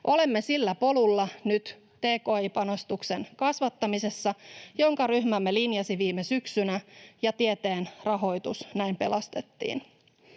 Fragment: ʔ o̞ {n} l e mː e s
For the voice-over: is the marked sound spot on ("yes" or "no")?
no